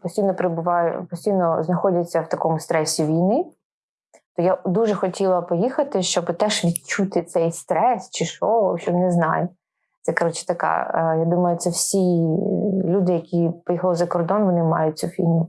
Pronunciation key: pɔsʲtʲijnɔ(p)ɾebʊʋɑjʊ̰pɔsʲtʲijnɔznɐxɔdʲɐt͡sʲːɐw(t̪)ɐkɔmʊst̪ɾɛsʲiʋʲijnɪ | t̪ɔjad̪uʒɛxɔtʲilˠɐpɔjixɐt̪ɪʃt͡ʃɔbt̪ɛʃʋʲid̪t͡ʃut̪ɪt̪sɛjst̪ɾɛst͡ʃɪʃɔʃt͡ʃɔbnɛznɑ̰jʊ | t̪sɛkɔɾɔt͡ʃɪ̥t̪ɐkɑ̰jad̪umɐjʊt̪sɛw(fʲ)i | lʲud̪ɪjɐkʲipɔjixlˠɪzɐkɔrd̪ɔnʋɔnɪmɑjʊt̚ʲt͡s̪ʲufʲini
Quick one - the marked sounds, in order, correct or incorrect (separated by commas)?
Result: correct, correct, incorrect